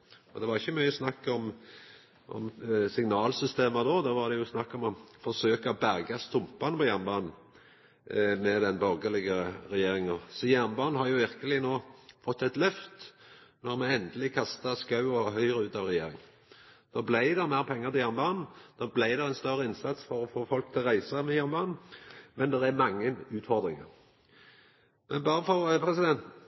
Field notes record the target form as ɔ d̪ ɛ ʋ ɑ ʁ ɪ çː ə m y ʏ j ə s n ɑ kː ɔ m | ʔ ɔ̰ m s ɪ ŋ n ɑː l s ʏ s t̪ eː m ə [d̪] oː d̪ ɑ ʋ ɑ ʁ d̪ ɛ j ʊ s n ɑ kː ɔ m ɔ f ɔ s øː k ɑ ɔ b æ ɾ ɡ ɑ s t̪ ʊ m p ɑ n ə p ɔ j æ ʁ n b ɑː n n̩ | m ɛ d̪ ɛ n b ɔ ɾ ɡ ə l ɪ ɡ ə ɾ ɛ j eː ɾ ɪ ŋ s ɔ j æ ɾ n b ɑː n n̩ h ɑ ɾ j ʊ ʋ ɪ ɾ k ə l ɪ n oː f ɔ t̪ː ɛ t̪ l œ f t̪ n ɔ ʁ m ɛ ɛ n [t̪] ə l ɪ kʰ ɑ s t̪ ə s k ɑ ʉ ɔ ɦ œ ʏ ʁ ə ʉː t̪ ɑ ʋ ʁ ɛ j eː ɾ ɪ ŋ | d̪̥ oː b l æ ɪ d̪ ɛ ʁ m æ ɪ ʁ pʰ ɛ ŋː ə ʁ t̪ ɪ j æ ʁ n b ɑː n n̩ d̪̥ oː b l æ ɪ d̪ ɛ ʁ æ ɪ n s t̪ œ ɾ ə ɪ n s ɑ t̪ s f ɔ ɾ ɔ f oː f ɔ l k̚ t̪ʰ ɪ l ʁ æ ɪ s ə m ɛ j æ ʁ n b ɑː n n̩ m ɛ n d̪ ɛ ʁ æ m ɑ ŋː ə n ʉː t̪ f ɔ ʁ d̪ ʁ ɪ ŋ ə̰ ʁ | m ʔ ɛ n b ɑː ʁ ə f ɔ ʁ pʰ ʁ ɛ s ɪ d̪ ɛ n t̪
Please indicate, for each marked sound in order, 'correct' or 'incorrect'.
correct, incorrect: d̪

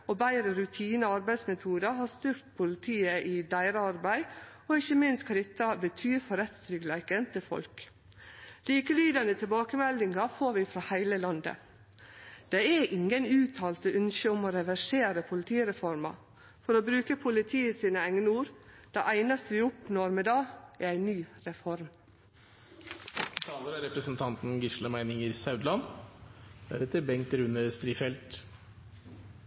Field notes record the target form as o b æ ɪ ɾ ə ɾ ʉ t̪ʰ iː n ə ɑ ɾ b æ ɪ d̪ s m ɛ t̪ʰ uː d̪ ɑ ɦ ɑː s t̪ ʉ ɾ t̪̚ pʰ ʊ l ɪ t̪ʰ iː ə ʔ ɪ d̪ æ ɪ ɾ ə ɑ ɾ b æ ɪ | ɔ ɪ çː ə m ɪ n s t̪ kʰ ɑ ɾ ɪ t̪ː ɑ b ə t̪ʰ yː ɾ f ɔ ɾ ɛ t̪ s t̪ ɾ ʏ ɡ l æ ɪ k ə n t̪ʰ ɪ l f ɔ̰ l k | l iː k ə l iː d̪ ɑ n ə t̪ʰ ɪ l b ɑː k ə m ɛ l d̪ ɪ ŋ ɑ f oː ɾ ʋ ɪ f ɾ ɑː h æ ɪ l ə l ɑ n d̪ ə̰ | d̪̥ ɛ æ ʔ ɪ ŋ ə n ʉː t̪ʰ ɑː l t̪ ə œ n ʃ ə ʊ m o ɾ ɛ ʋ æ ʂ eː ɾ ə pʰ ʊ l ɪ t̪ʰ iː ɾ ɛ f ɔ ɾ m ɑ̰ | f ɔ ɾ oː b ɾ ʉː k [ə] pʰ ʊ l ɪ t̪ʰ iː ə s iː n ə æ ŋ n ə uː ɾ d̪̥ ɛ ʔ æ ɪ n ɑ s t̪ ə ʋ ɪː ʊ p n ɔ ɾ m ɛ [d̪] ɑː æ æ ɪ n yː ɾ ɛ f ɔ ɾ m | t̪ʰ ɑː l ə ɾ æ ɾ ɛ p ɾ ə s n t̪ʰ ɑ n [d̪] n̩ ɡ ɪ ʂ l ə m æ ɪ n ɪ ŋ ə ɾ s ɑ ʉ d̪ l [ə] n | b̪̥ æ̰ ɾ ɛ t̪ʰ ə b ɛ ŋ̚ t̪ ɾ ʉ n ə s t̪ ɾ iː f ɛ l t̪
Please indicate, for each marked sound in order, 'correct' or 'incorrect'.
correct, correct, incorrect: t̪, incorrect: ɑ

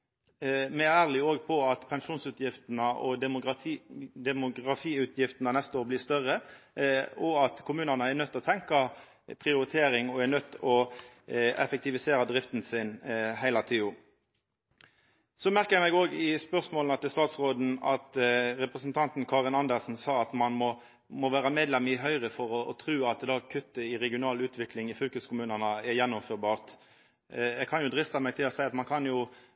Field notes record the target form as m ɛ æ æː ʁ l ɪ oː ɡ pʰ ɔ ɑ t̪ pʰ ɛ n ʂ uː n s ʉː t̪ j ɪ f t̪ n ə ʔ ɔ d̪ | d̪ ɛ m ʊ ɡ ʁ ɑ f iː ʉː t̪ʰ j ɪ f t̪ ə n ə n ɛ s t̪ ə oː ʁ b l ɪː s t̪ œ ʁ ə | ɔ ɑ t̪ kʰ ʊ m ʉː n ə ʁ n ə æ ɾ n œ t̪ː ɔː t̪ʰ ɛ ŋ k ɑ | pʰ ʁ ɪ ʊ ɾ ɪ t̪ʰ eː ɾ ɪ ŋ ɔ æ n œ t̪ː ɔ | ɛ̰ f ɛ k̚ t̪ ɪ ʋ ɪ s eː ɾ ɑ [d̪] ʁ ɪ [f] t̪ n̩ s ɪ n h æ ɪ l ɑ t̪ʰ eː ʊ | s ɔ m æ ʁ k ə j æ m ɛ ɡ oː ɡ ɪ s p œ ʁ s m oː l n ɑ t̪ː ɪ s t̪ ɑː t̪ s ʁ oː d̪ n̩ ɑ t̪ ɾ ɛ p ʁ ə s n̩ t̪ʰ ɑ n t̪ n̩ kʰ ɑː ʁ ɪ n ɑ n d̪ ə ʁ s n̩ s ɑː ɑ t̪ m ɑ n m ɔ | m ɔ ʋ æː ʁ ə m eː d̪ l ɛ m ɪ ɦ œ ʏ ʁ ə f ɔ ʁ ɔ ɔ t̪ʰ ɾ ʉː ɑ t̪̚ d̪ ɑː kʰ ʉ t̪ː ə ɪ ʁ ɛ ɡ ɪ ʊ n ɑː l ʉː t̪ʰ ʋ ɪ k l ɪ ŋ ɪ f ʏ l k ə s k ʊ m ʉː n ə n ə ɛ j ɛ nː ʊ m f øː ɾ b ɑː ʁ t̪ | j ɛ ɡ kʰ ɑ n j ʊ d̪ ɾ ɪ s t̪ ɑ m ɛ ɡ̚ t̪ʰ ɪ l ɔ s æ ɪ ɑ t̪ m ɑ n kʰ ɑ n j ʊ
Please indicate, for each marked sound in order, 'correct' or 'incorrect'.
correct, correct

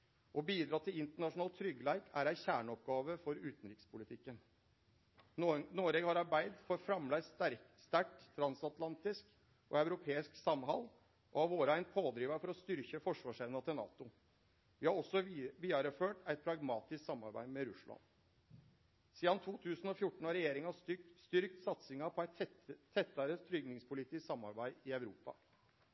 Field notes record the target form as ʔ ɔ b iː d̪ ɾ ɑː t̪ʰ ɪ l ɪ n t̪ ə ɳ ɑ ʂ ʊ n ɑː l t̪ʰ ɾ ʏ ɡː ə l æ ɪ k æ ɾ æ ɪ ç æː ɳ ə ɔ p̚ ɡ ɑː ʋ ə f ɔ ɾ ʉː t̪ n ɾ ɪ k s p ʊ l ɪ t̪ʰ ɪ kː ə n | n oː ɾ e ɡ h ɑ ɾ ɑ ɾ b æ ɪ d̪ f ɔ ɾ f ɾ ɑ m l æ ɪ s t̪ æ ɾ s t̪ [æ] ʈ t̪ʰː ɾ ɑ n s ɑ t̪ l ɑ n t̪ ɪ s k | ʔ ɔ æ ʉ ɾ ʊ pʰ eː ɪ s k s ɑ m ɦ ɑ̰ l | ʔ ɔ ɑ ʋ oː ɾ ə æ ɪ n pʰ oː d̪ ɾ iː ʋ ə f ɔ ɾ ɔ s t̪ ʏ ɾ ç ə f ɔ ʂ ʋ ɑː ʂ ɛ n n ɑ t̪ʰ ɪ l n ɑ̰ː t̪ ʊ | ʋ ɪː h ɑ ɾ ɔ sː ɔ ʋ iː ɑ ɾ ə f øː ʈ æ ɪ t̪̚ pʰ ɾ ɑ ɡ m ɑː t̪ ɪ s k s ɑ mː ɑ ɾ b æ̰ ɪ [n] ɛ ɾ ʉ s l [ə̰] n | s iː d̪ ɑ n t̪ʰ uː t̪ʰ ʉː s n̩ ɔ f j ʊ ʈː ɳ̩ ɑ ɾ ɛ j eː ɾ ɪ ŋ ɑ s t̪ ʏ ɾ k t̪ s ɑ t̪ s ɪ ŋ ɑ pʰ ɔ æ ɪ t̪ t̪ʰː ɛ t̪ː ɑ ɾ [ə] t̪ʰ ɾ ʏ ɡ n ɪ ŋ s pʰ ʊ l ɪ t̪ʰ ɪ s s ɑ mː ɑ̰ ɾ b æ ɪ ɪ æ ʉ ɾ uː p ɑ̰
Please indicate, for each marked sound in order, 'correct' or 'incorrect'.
correct, incorrect: m, incorrect: ɑ̰, correct

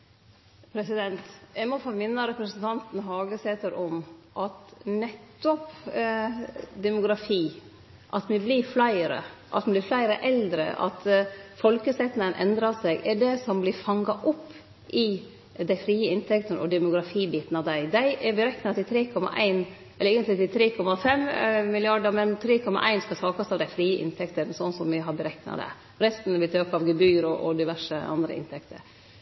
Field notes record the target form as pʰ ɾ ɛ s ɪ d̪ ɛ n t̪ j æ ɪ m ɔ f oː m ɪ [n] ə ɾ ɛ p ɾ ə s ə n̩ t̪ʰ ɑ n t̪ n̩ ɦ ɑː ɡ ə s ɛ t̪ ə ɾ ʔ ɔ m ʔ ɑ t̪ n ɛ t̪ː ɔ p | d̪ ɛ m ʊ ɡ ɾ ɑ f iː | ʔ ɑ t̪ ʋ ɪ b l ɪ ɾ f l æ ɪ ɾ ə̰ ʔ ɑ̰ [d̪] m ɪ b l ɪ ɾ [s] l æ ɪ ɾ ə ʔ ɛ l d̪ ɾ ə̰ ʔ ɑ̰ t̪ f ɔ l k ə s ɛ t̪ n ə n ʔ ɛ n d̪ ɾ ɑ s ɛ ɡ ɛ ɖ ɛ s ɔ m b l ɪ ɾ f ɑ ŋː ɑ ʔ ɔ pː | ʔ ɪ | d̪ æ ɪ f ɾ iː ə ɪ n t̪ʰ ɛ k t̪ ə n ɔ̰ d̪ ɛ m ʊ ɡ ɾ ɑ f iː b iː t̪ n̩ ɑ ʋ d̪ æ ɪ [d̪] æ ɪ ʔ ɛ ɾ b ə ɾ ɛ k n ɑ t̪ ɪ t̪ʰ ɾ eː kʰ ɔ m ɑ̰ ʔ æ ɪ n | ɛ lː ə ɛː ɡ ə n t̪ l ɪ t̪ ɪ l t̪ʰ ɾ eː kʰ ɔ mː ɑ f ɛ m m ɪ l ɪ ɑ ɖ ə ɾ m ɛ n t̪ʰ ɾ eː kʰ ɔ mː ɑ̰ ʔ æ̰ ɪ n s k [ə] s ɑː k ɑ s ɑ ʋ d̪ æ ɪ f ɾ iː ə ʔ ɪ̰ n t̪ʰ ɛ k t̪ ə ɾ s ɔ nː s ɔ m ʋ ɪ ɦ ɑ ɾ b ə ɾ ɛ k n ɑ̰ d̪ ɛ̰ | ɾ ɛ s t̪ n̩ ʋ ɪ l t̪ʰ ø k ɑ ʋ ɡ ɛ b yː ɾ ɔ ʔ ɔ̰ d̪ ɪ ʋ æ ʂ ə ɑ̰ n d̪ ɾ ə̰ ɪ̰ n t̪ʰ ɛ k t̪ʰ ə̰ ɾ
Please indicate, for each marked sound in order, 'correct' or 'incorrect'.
incorrect: nː, incorrect: t̪, incorrect: f, correct, incorrect: ɑ

